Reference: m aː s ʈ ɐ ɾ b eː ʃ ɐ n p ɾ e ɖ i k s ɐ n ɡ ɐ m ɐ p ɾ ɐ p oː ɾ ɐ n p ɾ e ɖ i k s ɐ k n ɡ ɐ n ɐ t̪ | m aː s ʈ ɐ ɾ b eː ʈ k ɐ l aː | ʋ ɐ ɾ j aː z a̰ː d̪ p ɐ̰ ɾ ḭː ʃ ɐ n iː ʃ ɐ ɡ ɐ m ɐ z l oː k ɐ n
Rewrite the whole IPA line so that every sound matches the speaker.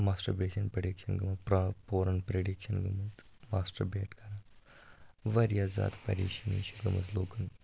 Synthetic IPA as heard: m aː s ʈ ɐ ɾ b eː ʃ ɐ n p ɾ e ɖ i k ʃ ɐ n ɡ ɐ m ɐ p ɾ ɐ p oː ɾ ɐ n p ɾ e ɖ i k ʃ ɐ n ɡ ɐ m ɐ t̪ | m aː s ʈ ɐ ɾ b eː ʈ k ɐ ɾ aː | ʋ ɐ ɾ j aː z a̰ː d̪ p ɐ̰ ɾ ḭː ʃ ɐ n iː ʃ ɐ ɡ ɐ m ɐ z l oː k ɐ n